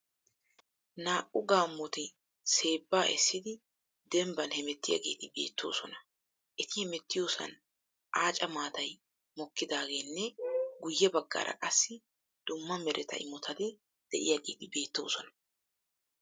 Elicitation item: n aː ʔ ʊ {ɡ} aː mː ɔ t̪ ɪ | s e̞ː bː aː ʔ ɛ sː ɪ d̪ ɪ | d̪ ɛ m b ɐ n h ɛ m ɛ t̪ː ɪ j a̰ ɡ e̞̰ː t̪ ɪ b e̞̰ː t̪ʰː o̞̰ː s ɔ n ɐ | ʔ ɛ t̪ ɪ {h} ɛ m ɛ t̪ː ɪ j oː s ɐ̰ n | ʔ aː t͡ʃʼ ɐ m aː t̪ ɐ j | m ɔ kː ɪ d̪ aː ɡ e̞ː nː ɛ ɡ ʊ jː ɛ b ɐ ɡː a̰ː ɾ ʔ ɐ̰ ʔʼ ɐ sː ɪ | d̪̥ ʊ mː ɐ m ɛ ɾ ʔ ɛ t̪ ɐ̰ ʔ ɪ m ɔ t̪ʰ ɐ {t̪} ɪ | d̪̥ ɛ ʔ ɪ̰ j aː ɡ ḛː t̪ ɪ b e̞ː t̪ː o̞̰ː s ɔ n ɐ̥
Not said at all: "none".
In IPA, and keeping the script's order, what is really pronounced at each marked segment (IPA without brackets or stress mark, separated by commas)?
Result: ɡ, h, d̪